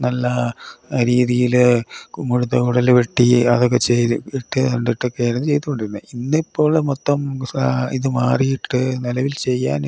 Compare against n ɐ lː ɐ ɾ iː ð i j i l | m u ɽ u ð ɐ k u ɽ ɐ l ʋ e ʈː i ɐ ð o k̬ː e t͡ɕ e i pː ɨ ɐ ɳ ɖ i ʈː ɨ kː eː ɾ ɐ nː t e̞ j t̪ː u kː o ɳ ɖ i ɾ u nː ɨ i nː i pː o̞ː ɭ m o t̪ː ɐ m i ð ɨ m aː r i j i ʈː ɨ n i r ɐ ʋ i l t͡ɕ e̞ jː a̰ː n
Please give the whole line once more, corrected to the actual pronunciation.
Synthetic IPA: n ɐ lː ɐ ɾ iː ð i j i l | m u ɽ u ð ɐ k u ɽ ɐ l ʋ e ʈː i ɐ ð o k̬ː e t͡ɕ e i ʈː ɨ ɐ ɳ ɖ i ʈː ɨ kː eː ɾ ɐ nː t͡ɕ e̞ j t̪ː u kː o ɳ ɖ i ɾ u nː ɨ i nː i pː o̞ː ɭ m o t̪ː ɐ m i ð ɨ m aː r i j i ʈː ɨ n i l ɐ ʋ i l t͡ɕ e̞ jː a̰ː n